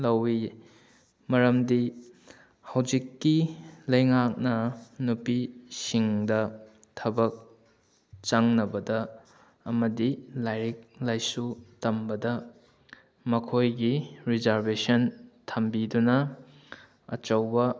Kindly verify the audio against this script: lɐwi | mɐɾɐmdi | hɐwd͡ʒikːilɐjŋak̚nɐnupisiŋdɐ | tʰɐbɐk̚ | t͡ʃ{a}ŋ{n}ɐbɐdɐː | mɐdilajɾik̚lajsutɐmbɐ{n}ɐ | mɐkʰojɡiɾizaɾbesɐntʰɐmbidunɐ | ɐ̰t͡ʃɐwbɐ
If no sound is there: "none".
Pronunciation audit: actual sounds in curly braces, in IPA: a, n, d

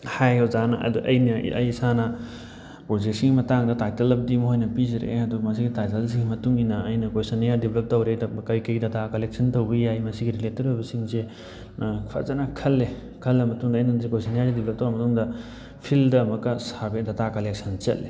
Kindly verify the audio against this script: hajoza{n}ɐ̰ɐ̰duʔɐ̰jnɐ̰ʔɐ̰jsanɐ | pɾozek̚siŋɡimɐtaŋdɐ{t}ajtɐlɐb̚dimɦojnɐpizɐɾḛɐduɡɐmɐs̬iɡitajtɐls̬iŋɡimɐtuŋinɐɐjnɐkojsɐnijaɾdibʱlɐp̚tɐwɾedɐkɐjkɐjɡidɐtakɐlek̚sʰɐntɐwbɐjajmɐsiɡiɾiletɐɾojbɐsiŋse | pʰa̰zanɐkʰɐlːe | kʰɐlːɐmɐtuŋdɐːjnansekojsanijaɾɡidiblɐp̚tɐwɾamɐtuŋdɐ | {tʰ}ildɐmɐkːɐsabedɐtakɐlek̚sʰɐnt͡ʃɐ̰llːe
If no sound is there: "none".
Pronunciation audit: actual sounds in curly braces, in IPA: n, t, pʰ

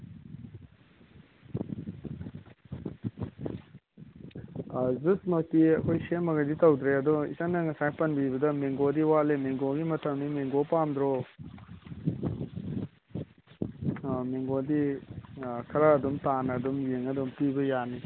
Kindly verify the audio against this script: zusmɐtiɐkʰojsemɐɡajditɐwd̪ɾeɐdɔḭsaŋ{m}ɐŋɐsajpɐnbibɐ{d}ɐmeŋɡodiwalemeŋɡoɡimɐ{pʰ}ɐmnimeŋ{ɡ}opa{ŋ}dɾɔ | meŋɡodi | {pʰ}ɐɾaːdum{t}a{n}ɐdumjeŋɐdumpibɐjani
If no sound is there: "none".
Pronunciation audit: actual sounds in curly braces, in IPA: n, d, tʰ, ɡ, m, kʰ, t, n

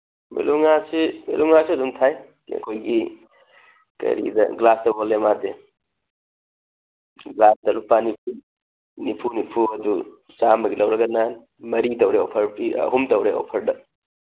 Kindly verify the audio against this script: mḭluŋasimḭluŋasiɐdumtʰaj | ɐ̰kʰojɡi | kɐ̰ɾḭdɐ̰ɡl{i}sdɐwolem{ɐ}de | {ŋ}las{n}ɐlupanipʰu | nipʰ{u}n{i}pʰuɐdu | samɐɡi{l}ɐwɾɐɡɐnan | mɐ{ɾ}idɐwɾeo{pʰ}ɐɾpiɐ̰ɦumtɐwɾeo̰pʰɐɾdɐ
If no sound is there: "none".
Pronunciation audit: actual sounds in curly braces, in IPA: a, a, ɡ, d, u, i, l, ɾ, pʰ

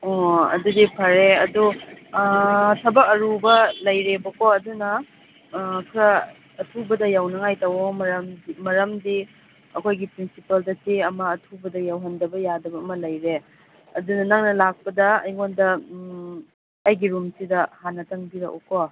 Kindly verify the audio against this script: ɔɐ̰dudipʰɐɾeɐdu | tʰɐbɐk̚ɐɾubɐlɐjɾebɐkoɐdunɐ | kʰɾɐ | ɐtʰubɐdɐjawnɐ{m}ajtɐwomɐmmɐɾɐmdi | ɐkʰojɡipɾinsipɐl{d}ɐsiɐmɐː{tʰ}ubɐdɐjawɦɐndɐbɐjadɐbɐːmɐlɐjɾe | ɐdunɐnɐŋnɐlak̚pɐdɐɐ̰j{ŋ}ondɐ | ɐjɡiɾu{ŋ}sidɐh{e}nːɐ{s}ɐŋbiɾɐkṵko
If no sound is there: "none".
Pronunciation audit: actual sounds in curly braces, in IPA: ŋ, d, tʰ, ŋ, m, a, t

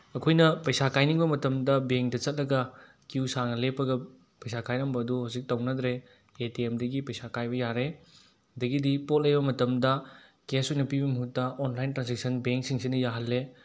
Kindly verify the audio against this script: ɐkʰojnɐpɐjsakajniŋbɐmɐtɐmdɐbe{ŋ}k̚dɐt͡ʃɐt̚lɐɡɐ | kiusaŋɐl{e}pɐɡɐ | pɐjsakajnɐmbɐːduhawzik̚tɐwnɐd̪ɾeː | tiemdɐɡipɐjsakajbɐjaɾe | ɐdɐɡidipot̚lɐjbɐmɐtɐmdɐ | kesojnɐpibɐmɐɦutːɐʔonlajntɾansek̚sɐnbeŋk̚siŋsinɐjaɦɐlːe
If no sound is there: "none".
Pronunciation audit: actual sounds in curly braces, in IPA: ŋ, e

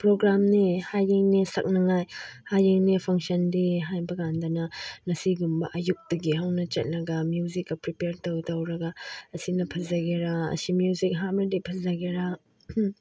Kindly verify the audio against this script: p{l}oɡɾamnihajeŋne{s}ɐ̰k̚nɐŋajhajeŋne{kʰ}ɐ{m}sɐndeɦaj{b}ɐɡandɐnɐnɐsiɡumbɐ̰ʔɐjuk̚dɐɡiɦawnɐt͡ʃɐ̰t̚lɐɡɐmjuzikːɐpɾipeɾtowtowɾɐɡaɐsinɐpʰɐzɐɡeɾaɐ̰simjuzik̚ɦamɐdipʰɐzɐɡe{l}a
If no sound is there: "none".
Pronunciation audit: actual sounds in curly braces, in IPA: ɾ, s, pʰ, ŋ, b, ɾ

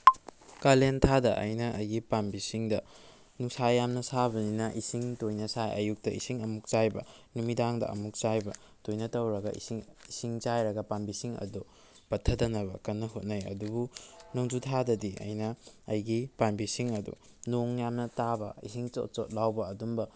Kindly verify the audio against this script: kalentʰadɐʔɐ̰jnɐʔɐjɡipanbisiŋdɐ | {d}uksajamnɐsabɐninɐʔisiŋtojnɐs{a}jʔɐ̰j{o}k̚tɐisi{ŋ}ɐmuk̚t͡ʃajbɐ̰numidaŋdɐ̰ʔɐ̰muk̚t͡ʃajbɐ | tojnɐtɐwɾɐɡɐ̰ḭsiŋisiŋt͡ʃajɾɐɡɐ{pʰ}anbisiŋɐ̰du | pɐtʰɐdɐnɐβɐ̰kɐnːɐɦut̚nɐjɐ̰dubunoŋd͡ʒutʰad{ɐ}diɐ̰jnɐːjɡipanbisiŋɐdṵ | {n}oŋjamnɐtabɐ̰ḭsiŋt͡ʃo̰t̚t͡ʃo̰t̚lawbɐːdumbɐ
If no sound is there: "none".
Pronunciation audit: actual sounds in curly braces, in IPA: n, a, u, ŋ, p, ɐ, n

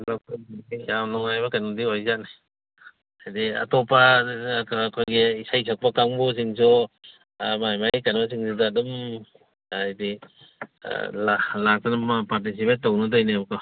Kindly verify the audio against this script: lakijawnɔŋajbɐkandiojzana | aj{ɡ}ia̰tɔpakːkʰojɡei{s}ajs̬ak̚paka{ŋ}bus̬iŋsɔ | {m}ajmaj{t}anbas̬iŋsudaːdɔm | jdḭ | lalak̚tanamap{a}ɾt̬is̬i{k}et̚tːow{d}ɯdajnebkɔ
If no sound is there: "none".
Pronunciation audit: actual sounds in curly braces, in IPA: d, s, ŋ, m, k, a, p, n

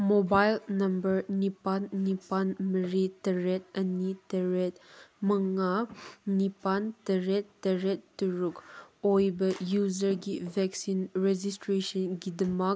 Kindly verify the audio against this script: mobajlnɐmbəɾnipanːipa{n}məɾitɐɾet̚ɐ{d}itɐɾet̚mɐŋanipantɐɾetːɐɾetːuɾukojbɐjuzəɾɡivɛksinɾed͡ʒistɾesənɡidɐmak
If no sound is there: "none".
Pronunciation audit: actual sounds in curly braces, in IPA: n, n

